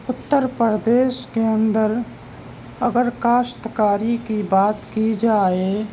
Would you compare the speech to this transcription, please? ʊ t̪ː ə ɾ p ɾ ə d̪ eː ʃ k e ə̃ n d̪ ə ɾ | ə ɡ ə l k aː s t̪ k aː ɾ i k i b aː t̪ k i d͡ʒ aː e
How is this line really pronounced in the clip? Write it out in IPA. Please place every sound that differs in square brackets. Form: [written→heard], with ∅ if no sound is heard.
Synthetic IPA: ʊ t̪ː ə ɾ p ɾ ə d̪ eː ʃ k e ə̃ n d̪ ə ɾ | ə ɡ ə [l→ɾ] k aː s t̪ k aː ɾ i k i b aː t̪ k i d͡ʒ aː e